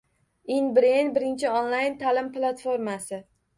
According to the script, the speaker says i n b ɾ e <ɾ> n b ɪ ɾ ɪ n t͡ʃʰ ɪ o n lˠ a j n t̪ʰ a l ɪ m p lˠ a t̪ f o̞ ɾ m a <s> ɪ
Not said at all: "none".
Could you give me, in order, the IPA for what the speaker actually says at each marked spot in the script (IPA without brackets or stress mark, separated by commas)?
none, s